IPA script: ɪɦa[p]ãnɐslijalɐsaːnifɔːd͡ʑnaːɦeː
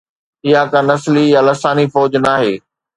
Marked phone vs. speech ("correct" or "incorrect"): incorrect